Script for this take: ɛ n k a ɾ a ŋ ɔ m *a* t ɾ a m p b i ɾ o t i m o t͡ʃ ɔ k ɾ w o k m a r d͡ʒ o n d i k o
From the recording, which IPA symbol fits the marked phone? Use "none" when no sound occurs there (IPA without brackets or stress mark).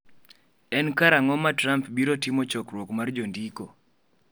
a